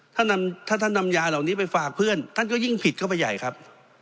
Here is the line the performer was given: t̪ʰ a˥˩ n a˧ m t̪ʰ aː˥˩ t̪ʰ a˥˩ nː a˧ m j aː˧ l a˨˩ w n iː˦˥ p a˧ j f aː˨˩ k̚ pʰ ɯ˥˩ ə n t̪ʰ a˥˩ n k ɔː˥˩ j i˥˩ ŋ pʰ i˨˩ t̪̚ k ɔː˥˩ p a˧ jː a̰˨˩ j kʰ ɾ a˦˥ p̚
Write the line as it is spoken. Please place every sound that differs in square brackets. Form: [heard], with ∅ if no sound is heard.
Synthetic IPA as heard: t̪ʰ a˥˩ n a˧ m t̪ʰ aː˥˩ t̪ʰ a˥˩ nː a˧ m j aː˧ l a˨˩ w n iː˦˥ p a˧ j f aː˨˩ k̚ pʰ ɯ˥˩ ə n t̪ʰ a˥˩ n k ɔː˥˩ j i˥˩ ŋ pʰ i˨˩ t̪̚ k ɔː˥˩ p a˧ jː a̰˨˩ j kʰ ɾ a˦˥ p̚